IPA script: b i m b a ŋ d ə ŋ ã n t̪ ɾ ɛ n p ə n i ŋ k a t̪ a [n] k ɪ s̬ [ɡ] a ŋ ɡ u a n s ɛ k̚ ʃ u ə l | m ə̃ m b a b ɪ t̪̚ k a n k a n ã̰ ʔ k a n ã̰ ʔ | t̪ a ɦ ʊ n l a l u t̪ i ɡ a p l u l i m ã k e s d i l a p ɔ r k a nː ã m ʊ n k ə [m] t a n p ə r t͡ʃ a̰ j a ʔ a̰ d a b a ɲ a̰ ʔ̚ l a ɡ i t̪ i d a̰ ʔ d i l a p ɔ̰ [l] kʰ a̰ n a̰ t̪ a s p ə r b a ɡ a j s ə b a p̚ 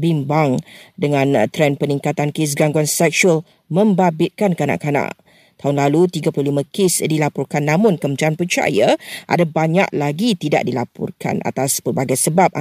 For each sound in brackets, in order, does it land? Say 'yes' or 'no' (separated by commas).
yes, yes, yes, no